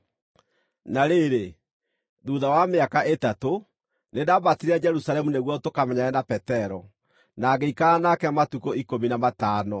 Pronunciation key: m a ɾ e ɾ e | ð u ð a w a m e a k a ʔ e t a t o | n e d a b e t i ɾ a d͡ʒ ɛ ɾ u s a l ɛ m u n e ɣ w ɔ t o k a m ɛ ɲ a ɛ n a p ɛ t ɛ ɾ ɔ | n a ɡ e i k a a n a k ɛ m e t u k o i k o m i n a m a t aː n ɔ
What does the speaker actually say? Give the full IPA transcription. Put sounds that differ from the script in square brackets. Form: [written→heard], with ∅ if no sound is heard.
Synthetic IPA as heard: [m→n] a ɾ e ɾ e | ð u ð a w a m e a k a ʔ e t a t o | n e d a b [e→a] t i ɾ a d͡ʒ ɛ ɾ u s a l ɛ m u n e ɣ w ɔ t o k a m ɛ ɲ a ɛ n a p ɛ t ɛ ɾ ɔ | n a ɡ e i k a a n a k ɛ m [e→a] t u k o i k o m i n a m a t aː n ɔ